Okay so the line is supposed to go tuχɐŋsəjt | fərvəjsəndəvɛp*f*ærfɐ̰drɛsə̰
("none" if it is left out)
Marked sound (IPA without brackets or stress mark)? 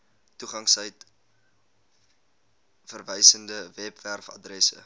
v